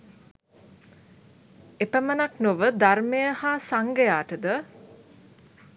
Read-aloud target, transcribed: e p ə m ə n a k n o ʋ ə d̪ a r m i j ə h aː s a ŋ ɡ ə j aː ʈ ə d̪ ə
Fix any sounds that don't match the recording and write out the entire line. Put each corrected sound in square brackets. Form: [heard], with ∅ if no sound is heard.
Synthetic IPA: e p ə m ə n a k n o ʋ ə d̪ a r m [e] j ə h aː s a ŋ ɡ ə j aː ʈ ə d̪ ə